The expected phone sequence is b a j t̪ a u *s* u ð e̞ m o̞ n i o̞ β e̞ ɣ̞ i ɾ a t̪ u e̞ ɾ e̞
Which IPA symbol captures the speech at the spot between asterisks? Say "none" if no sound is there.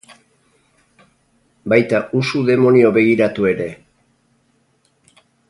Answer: s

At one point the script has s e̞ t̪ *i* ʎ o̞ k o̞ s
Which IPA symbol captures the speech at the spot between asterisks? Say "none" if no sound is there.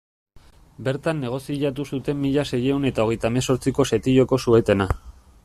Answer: i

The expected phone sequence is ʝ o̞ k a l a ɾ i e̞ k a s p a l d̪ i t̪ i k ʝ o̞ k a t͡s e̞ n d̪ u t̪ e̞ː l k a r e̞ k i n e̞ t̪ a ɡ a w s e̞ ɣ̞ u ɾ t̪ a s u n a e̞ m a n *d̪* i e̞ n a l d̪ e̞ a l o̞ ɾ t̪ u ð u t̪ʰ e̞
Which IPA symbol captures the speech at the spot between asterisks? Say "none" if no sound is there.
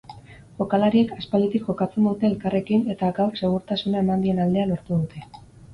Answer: d̪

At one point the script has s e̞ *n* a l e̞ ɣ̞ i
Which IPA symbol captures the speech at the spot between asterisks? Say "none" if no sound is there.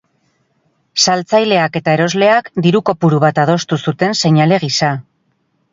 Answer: ɲ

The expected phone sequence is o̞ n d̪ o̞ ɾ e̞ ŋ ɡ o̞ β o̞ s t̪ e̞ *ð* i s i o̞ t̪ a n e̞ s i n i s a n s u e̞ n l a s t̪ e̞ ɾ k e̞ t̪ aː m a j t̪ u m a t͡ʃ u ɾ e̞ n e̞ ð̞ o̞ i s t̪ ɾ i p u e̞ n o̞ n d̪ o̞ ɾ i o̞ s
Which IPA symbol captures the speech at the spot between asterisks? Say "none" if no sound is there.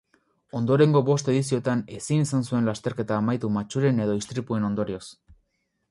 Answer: ð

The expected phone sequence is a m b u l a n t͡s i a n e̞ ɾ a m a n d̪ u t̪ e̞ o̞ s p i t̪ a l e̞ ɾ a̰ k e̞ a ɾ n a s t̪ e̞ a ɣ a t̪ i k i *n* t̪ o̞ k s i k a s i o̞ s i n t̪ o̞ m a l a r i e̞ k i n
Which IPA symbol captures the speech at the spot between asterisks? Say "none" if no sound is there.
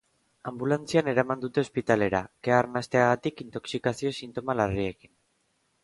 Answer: n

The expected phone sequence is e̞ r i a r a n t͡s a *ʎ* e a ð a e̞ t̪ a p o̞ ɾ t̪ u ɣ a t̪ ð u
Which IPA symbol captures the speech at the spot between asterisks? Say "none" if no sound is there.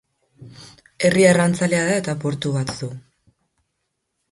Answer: l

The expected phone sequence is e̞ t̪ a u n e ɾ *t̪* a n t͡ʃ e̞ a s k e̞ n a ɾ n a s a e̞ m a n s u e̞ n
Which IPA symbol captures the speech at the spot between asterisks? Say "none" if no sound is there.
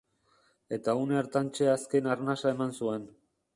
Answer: t̪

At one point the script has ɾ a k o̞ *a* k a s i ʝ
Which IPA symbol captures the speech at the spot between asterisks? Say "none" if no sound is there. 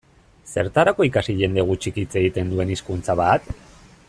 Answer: i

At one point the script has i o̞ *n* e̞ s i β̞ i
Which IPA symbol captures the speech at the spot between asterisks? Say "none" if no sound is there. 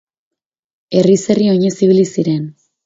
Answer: ɲ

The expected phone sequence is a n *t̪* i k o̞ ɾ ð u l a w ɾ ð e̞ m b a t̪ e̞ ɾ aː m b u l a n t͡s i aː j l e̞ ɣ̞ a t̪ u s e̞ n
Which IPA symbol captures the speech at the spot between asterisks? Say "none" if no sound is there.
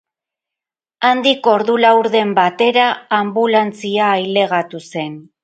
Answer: d̪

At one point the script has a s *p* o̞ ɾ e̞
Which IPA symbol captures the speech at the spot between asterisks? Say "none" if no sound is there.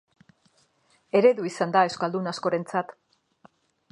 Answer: k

